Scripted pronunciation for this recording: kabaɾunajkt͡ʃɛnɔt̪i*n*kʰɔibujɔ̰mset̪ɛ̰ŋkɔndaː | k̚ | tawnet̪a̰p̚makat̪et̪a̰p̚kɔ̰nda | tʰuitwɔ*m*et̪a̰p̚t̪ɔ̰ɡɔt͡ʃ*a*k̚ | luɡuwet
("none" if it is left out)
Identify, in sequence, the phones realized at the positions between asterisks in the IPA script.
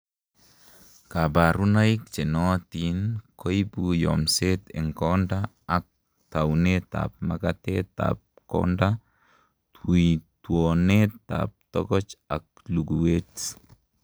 n, n, a

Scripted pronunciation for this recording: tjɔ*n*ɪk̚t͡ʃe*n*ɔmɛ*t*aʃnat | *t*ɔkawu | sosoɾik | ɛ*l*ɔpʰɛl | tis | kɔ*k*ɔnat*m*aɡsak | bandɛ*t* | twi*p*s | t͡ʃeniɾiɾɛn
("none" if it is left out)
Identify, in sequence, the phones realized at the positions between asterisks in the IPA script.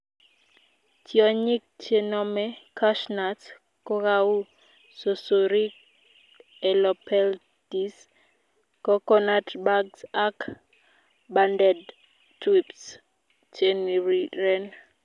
ɲ, n, k, k, l, k, b, d, p

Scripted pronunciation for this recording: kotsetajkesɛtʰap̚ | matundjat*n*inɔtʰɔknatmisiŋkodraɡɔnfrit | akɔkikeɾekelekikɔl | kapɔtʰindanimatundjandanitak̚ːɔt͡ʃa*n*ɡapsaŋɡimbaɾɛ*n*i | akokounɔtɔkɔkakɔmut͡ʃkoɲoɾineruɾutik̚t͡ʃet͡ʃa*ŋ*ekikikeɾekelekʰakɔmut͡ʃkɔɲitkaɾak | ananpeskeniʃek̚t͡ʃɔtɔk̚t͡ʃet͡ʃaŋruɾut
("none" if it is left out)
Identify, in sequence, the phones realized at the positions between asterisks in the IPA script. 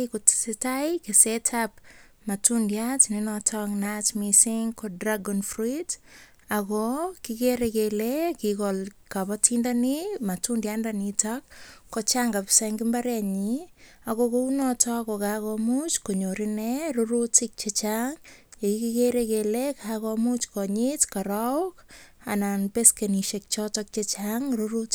n, ŋ, ɲ, ŋ

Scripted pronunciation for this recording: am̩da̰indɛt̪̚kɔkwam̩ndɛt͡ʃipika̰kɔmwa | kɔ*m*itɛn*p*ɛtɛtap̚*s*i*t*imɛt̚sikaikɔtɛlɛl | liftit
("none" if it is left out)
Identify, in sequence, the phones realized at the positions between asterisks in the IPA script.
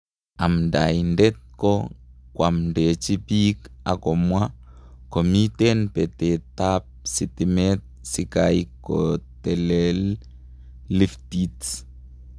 m, p, s, t

